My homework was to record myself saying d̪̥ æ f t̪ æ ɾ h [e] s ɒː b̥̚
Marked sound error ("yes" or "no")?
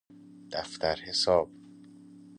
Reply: no